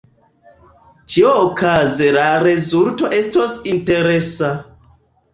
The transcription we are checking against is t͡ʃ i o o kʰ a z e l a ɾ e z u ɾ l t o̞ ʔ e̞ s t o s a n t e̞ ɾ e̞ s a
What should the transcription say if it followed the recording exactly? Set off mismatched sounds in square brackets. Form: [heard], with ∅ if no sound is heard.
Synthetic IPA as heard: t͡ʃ i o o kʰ a z e l a ɾ e z u [∅] l t o̞ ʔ e̞ s t o s [i] n t e̞ ɾ e̞ s a